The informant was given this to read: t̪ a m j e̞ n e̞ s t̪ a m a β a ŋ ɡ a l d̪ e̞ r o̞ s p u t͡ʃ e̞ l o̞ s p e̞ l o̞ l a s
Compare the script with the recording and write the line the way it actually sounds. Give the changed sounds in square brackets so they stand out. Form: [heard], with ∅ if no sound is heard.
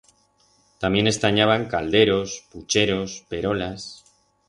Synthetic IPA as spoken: t̪ a m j e̞ n e̞ s t̪ a [ɲ] a β a ŋ [k] a l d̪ e̞ [ɾ] o̞ s p u t͡ʃ e̞ [ɾ] o̞ s p e̞ [ɾ] o̞ l a s